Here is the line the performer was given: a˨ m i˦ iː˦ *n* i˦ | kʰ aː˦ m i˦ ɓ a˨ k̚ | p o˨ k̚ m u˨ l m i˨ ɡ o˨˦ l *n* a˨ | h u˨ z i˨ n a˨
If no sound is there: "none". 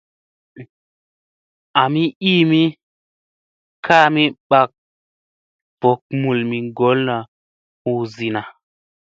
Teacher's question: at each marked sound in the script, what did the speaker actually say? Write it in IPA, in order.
m, n

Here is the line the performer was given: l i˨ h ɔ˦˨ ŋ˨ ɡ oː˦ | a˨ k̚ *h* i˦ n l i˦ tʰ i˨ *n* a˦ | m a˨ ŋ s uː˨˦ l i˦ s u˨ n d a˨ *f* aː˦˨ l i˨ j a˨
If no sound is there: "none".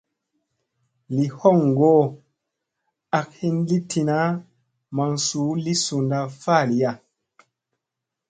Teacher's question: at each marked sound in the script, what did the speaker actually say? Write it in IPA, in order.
h, n, f

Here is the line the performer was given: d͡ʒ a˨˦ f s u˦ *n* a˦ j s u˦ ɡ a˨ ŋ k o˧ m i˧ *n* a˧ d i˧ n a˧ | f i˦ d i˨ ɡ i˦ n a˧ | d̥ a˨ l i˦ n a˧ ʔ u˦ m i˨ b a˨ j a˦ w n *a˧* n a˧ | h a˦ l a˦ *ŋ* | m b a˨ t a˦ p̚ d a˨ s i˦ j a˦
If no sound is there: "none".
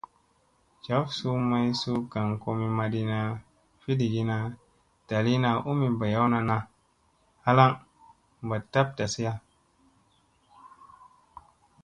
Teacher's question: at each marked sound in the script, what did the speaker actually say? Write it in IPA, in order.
m, m, a˧, ŋ

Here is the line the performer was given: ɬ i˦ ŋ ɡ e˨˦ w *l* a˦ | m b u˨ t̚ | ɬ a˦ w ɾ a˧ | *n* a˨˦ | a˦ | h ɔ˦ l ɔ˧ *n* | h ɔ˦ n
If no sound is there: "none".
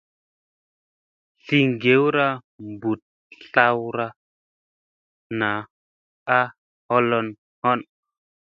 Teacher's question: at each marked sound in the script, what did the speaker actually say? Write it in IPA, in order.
ɾ, n, n

